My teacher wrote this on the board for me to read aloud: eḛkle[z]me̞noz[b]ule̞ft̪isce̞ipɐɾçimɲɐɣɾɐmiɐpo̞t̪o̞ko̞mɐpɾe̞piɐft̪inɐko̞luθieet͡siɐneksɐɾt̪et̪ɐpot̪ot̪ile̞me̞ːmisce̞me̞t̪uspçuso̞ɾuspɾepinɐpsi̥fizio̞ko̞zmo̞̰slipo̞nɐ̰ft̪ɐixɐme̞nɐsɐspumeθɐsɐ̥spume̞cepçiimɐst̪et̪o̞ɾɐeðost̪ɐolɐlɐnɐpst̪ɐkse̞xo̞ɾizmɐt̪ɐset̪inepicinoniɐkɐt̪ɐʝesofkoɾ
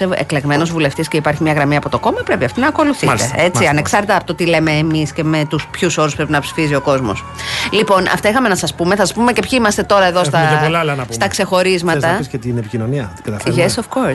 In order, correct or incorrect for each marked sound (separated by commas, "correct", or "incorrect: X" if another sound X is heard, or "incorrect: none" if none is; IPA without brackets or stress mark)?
incorrect: ɣ, incorrect: v